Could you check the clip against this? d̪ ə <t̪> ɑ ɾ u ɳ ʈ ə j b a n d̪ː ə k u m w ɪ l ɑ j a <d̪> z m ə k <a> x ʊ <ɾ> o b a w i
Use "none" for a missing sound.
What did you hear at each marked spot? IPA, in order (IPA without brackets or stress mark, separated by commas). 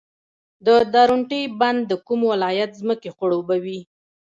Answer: d̪, t̪, e, ɽ